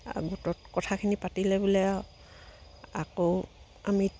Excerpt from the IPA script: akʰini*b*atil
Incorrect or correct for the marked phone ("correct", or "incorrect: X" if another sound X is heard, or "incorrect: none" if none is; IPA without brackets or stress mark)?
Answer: incorrect: p